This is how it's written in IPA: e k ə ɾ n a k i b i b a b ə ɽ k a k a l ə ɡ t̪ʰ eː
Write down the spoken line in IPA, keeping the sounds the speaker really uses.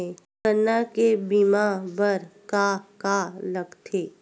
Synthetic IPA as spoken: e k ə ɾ n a k e b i m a b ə ɾ k a k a l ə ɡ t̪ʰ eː